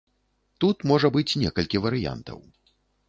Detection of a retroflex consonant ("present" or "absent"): present